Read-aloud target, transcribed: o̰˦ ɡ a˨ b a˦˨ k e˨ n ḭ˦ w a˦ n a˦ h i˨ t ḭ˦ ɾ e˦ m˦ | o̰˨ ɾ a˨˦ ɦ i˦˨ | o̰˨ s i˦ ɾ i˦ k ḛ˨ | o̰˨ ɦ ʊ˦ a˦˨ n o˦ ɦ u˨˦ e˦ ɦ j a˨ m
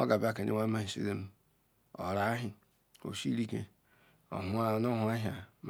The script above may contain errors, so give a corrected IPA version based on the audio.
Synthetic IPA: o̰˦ ɡ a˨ b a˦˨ k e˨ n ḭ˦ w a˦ m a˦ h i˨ s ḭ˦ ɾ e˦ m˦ | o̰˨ ɾ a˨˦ ɦ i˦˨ | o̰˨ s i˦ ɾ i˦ k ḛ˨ | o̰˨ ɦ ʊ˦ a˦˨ n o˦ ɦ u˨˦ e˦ ɦ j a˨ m